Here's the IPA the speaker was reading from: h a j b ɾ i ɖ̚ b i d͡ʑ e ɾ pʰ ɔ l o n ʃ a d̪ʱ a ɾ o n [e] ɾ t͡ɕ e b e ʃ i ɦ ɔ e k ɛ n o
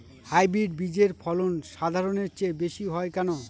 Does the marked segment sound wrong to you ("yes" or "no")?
no